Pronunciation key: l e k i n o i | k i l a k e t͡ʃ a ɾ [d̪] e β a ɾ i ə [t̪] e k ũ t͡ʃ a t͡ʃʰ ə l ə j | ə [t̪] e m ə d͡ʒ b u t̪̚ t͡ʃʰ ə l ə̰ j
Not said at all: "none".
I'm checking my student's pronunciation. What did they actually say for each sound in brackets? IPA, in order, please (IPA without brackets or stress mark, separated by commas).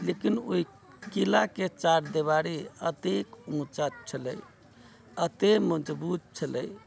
d̪, t̪, t̪